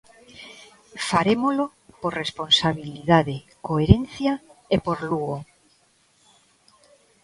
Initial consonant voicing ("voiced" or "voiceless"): voiceless